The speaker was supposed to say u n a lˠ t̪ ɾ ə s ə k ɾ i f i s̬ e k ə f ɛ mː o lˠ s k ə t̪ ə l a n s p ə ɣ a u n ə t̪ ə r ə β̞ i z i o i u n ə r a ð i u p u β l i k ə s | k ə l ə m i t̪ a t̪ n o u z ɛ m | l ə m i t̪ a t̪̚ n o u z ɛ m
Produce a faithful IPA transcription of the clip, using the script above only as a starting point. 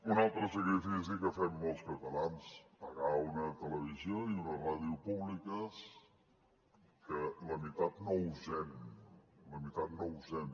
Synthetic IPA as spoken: u n a lˠ t̪ ɾ ə s ə k ɾ i f i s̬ i k ə f ɛ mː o lˠ s k ə t̪ ə l a n s p ə ɣ a u n ə t̪ ə l ə β̞ i z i o i u n ə r a ð i u p u β l i k ə s | k ə l ə m i t̪ a t̪ n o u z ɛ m | l ə m i t̪ a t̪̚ n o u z ɛ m